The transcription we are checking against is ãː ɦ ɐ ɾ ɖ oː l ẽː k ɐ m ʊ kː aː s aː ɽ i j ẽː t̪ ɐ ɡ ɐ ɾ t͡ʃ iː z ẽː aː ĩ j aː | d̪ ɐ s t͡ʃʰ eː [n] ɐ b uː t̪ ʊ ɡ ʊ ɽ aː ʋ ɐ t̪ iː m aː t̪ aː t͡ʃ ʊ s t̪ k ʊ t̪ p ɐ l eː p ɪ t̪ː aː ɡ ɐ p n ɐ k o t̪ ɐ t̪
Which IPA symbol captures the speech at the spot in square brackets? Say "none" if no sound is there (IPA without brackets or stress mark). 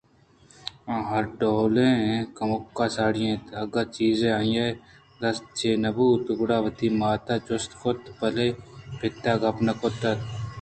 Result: n